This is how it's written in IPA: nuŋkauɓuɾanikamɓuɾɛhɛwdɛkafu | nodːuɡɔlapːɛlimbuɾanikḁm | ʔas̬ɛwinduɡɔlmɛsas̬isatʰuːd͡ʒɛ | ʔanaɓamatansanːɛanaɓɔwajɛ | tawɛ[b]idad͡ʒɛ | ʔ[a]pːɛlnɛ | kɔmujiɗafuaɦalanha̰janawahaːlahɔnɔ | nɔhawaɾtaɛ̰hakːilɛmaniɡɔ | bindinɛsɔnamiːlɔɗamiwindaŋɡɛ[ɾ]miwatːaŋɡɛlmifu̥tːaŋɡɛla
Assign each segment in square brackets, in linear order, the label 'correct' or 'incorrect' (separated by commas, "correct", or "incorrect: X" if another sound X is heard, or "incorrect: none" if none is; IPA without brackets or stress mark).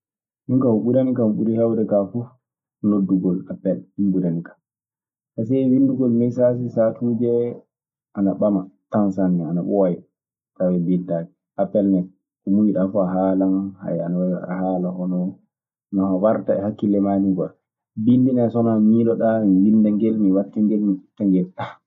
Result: correct, correct, incorrect: l